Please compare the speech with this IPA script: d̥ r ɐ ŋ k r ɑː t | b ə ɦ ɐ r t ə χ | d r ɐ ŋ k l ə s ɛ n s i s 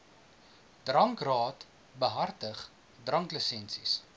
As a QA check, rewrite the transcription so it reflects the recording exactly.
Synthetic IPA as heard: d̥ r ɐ ŋ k r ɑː t | b ə ɦ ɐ r t ə χ | d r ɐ ŋ k l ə s ɛ n s i s

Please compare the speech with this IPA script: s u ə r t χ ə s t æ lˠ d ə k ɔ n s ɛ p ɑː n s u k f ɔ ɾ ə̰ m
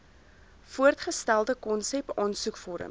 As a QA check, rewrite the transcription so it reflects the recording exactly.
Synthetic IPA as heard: f u ə r t χ ə s t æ lˠ d ə k ɔ n s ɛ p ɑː n s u k f ɔ ɾ ə̰ m

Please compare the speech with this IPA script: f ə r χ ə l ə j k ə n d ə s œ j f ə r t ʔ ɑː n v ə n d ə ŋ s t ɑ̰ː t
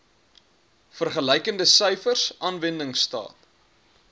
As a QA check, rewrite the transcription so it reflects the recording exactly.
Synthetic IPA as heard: f ə r χ ə l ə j k ə n d ə s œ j f ə r s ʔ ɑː n v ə n d ə ŋ s t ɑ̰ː t

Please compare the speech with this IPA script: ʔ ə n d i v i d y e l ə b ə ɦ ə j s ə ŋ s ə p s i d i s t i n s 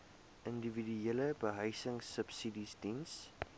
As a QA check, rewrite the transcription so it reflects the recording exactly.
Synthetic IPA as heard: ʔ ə n d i v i d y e l ə b ə ɦ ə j s ə ŋ s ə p s i d i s d i n s

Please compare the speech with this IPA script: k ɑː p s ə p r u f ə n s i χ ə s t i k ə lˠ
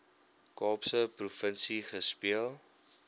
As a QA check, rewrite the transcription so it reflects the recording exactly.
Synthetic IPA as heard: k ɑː p s ə p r u f ə n s i χ ə s p i ə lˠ

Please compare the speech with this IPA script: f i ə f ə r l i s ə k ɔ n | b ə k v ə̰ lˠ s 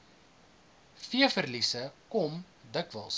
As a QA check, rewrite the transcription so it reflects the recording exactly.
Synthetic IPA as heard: f i ə f ə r l i s ə k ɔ m | d ə k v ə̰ lˠ s

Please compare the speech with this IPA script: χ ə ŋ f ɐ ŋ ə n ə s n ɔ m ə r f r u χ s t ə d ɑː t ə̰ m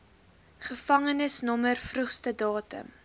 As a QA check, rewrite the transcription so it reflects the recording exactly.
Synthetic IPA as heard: χ ə f ɐ ŋ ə n ə s n ɔ m ə r f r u χ s t ə d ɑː t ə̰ m

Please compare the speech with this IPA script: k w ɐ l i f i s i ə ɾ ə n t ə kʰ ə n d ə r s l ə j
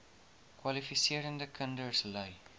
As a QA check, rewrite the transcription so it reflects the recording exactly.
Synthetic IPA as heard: k w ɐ l i f i s i ə ɾ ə n d ə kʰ ə n d ə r s l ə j

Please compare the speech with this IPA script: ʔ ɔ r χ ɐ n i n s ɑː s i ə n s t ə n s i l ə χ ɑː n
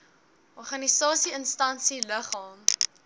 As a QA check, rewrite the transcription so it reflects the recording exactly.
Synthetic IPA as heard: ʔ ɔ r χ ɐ n i s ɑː s i ə n s t ɐ n s i l ə χ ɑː m

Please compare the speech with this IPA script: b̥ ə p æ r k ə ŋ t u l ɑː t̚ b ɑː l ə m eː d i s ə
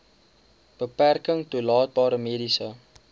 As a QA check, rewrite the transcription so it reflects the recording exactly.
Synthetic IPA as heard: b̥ ə p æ r k ə ŋ t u l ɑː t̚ b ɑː ɾ ə m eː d i s ə

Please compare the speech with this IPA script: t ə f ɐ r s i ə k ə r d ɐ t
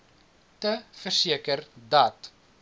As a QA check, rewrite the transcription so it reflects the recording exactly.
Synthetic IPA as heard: t ə f ə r s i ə k ə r d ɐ t

